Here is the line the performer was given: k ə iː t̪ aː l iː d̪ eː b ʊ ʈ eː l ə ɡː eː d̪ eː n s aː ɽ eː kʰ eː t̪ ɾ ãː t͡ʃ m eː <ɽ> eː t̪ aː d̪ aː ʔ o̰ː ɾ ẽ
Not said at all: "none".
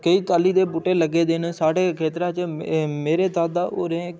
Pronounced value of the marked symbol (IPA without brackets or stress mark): ɾ